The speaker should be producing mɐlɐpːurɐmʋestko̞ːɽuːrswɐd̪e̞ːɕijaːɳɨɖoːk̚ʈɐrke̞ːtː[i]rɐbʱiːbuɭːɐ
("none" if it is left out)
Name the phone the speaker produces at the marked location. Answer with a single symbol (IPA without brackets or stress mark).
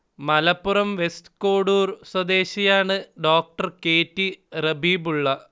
i